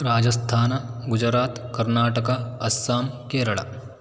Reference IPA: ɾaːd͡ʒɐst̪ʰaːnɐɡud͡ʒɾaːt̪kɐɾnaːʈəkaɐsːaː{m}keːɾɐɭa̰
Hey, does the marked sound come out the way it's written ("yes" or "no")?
yes